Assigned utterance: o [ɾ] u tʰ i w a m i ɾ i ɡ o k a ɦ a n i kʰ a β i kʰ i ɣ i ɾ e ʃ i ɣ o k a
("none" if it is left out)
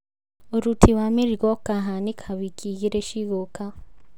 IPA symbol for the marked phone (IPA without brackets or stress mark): ɾ